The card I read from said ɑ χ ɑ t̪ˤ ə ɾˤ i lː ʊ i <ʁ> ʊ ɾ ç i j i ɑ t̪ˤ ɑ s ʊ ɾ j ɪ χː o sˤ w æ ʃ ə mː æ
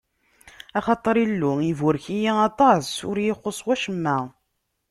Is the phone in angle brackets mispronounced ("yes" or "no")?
yes